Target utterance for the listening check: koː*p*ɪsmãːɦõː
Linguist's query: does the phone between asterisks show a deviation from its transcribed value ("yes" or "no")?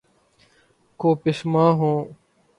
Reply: no